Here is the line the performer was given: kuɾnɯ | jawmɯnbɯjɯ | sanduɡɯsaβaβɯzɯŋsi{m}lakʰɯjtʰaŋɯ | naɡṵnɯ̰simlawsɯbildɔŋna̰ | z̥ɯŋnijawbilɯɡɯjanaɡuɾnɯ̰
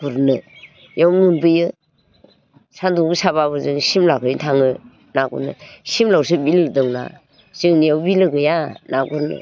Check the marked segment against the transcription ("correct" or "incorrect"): correct